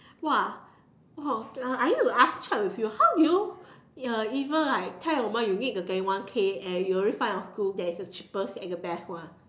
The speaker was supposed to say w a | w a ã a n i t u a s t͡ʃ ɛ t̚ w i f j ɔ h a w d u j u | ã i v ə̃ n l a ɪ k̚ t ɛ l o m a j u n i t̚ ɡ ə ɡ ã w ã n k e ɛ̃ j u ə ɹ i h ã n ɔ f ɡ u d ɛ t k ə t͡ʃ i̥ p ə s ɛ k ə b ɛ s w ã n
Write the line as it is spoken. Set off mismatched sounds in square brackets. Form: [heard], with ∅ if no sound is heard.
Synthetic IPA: w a | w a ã a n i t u a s t͡ʃ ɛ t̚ w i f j [u] h a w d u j u | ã i v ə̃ n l a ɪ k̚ [tʰ] ɛ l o m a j u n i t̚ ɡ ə ɡ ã w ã n [kʰ] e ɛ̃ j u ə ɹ i [f] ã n ɔ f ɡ u d ɛ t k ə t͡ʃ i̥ p ə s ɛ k ə b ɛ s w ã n